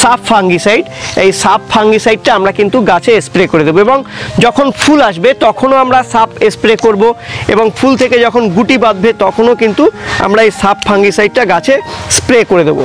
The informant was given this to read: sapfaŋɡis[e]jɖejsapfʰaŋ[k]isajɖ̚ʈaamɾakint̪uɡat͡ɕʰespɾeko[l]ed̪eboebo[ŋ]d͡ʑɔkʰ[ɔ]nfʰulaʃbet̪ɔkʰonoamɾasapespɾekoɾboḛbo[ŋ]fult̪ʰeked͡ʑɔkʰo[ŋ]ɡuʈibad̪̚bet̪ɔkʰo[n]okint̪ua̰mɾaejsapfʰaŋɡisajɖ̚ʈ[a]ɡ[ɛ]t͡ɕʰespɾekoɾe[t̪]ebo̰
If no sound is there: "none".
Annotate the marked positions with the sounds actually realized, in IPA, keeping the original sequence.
a, ɡ, ɾ, ŋ, o, ŋ, n, n, a, a, d̪

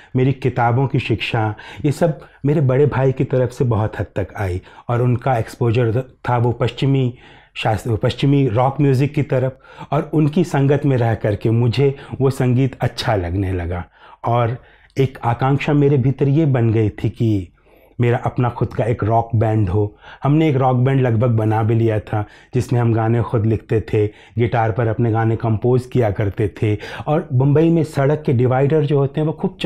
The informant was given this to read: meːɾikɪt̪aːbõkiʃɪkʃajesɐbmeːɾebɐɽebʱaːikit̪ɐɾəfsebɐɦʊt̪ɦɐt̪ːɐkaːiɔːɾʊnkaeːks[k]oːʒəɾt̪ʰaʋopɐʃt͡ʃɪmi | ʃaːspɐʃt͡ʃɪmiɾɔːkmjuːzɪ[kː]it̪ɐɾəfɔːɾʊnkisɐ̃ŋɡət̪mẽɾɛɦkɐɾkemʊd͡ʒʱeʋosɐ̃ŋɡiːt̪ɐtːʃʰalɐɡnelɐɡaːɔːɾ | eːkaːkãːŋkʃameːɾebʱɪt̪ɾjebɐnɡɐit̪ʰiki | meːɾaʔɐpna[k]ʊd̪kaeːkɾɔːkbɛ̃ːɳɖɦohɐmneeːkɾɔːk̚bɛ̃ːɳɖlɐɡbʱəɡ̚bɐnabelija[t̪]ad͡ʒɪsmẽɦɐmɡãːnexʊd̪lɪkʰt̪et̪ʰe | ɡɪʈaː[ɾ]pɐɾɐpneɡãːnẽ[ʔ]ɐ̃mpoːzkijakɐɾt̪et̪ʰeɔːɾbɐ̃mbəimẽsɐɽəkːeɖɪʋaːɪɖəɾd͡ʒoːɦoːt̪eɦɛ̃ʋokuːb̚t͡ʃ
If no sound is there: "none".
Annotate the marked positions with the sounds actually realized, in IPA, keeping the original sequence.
p, kː, x, t̪ʰ, ɾ, k

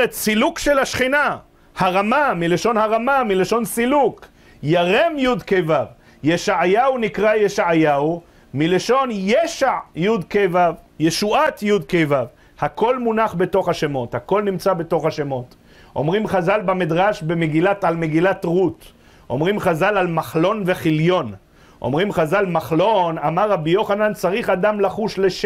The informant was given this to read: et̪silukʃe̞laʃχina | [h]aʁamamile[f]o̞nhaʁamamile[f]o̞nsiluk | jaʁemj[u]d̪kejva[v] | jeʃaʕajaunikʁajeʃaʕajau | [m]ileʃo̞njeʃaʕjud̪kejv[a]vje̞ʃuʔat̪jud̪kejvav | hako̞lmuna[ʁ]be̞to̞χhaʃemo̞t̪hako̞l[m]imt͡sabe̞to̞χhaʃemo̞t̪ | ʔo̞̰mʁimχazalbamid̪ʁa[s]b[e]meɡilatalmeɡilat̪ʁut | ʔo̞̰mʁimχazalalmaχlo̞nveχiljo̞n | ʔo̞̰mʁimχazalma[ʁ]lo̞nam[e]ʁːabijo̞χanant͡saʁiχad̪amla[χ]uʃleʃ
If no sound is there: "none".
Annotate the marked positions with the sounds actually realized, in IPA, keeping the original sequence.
h, ʃ, ʃ, u, v, m, a, χ, n, ʃ, e, χ, a, χ

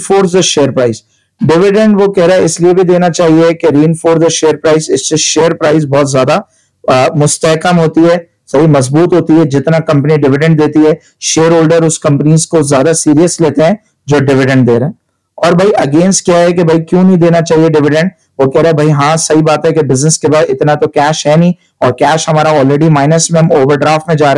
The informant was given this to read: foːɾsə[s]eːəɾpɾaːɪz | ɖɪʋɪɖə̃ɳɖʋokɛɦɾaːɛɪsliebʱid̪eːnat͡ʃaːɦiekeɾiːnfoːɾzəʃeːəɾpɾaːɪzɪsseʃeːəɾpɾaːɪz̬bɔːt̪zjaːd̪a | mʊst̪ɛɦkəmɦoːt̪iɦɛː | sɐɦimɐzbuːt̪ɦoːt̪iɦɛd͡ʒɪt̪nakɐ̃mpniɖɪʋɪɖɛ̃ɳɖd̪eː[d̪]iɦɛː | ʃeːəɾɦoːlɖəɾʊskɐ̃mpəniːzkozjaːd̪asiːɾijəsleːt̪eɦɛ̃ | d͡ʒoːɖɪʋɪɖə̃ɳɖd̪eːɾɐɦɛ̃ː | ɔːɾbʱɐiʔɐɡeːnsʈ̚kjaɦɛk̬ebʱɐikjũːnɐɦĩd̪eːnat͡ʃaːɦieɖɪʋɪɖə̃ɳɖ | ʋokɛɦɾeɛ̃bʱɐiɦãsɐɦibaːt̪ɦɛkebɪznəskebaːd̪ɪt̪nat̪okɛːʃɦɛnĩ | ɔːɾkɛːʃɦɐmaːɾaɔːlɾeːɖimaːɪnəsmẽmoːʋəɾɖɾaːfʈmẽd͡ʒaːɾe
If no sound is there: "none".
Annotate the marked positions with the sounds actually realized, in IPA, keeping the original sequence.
ʃ, t̪

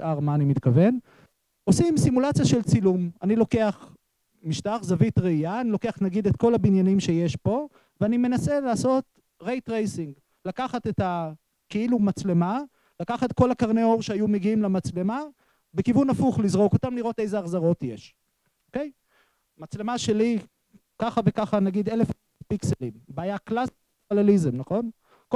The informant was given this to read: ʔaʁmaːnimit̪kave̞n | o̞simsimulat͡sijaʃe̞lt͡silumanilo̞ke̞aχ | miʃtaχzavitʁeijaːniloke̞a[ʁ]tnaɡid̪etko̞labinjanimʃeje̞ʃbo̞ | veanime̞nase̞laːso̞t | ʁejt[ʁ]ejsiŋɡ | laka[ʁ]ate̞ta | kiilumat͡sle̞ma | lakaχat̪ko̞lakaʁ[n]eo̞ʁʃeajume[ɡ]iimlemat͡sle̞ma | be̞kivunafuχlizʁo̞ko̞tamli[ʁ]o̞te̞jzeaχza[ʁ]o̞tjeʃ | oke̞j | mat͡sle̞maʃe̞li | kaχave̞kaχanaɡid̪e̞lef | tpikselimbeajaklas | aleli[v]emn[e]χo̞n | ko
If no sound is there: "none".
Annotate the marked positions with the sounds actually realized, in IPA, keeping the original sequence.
χ, ʁ, χ, n, ɡ, ʁ, ʁ, z, a

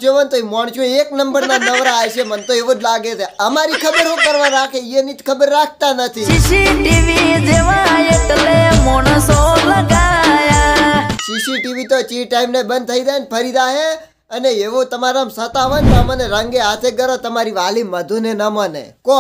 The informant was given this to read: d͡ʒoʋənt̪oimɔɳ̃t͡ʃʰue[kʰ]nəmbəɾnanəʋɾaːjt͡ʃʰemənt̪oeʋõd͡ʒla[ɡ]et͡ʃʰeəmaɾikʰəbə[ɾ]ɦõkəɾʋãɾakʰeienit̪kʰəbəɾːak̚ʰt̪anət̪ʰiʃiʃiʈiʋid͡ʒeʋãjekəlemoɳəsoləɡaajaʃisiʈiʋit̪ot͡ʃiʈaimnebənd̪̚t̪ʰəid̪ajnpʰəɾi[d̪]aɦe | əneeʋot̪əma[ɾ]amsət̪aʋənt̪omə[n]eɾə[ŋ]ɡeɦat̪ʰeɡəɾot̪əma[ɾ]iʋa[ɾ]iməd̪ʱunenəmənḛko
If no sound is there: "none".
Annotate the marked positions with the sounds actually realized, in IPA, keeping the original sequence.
k, ɡ, ɾ, d̪, ɾ, n, ŋ, ɾ, l

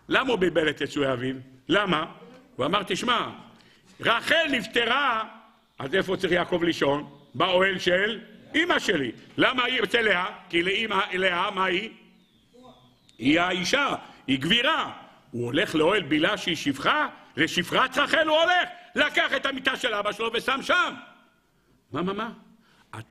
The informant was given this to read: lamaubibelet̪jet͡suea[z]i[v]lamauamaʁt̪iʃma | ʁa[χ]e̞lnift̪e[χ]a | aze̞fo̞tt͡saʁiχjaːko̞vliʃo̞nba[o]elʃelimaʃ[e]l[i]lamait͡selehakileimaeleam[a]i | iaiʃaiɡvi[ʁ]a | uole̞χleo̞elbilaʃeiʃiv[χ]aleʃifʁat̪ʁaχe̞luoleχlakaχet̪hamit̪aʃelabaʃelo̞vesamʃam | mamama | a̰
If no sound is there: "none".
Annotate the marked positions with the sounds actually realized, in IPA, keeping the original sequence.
v, v, χ, ʁ, o, e, i, a, ʁ, χ

